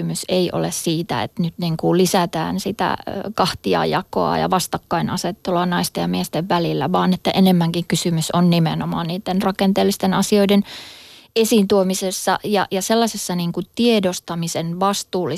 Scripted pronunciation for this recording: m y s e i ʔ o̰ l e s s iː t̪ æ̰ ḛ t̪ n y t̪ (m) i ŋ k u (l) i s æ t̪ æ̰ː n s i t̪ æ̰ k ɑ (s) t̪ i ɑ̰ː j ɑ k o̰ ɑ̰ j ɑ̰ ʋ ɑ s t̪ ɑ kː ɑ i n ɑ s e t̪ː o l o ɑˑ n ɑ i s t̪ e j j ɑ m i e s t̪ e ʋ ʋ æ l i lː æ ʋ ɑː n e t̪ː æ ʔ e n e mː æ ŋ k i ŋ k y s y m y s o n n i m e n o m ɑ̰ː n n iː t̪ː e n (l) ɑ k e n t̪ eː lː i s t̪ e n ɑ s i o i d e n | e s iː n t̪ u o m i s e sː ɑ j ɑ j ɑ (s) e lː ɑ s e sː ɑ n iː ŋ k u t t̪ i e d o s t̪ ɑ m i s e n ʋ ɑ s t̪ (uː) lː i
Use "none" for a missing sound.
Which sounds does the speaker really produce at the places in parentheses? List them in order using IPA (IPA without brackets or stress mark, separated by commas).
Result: n, l, h, r, s, uː